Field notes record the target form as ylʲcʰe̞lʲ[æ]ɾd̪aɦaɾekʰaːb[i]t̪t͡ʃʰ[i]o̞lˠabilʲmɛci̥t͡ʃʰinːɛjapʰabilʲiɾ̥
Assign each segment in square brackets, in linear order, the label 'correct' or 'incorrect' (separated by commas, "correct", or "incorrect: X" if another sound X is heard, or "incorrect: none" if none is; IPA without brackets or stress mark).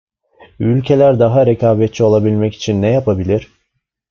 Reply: correct, incorrect: ɛ, correct